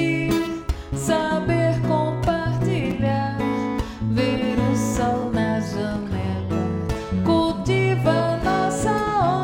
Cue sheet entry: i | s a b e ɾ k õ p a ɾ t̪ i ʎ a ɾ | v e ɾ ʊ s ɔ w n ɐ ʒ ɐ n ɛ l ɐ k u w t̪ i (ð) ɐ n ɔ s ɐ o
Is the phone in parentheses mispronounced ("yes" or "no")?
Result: yes